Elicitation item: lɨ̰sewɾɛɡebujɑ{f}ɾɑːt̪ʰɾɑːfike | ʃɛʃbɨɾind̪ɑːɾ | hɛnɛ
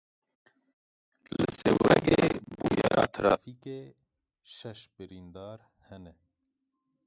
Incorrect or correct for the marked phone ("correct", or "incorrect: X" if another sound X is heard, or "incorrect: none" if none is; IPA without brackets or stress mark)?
incorrect: none